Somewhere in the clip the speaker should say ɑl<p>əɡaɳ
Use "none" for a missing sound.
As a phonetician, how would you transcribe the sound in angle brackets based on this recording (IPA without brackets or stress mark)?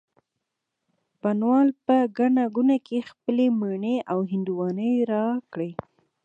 p